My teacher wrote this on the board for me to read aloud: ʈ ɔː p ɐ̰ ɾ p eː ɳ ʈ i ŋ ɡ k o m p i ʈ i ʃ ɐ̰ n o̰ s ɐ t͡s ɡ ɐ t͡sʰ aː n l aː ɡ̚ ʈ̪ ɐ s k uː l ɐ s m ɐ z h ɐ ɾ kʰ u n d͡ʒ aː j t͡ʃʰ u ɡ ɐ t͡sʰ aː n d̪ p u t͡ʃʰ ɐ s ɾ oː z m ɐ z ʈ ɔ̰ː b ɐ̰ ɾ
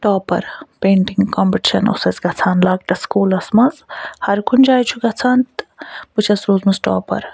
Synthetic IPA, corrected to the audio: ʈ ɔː p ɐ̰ ɾ p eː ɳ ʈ i ŋ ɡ k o m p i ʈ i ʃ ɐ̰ n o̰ s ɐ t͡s ɡ ɐ t͡sʰ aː n l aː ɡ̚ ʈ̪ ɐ s k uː l ɐ s m ɐ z h ɐ ɾ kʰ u n d͡ʒ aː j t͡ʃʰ u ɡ ɐ t͡sʰ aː n t̪ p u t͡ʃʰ ɐ s ɾ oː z m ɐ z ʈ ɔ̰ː p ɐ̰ ɾ